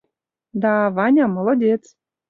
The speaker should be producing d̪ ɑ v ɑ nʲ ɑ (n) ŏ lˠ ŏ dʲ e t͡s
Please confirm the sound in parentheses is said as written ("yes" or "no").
no